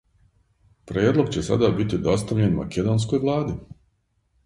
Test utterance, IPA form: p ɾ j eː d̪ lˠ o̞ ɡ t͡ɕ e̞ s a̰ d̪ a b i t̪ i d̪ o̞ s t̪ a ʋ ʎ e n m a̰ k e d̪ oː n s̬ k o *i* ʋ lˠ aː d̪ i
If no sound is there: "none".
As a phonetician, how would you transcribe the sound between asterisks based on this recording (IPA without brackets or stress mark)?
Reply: j